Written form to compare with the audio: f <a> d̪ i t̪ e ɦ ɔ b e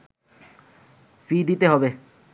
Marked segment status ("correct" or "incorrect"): incorrect